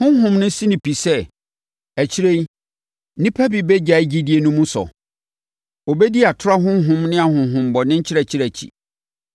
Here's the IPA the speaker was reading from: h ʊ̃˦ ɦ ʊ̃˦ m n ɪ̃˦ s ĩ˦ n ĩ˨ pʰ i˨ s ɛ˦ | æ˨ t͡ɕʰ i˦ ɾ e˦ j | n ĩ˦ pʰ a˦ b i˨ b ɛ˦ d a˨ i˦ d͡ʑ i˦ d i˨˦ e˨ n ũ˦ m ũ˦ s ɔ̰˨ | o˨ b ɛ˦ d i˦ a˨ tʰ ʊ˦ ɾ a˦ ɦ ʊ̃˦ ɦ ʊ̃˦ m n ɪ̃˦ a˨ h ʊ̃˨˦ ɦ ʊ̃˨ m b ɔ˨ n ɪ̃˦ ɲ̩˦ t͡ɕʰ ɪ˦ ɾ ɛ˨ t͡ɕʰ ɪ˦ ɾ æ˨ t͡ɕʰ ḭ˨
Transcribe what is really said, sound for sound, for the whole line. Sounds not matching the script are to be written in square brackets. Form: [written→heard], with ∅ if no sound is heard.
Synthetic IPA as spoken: h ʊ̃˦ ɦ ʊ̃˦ m n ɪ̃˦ s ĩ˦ n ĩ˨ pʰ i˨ s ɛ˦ | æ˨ t͡ɕʰ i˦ ɾ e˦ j | n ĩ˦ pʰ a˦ b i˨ b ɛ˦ [d→d͡ʑ] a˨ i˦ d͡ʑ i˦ d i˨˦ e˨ n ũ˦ m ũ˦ s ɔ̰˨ | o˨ b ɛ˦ d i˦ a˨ tʰ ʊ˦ ɾ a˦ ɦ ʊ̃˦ ɦ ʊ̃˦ m n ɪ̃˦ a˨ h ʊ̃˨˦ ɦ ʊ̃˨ m b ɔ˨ n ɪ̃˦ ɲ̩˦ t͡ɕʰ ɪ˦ ɾ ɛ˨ t͡ɕʰ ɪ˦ ɾ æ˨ t͡ɕʰ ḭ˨